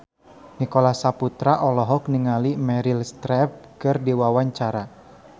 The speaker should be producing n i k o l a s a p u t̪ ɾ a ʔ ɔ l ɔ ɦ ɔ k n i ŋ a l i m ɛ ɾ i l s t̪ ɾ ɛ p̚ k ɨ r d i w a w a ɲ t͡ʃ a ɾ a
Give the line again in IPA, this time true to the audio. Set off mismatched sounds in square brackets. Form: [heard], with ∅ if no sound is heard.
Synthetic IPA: n i k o l a s a p u t̪ ɾ a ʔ ɔ l ɔ ɦ ɔ k n i ŋ a l i m ɛ ɾ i l s t̪ ɾ ɛ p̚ k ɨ r d i w a w a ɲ t͡ʃ a ɾ a